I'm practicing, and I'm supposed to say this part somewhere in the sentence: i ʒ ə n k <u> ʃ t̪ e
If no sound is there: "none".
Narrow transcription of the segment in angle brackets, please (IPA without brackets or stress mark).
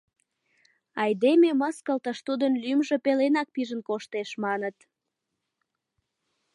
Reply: o